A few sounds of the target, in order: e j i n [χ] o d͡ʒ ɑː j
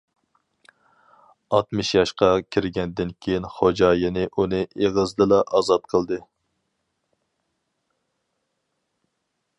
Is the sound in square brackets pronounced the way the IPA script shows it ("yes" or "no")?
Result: yes